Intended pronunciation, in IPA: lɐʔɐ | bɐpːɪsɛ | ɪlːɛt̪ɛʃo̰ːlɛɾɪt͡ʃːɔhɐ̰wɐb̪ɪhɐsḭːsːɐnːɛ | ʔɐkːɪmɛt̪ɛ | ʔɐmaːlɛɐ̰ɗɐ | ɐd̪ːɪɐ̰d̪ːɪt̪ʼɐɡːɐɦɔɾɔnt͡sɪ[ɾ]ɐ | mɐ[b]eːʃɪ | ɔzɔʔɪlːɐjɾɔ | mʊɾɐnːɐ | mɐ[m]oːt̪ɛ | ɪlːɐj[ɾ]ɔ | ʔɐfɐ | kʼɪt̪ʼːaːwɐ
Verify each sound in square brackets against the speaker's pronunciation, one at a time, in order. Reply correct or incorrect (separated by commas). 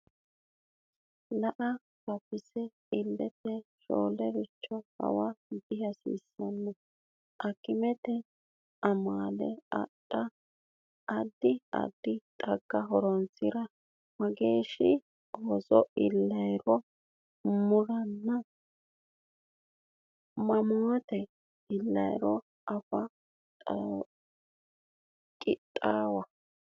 correct, incorrect, correct, correct